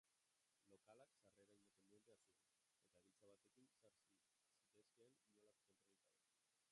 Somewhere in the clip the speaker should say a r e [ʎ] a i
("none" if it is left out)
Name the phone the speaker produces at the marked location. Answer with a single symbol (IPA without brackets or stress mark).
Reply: ɾ